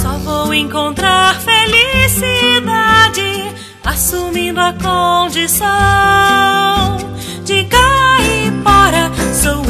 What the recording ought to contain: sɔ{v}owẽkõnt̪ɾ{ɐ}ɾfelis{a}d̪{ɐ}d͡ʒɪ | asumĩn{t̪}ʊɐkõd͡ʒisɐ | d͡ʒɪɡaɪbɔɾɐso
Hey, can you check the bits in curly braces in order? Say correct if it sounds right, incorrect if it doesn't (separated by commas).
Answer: correct, incorrect, incorrect, incorrect, incorrect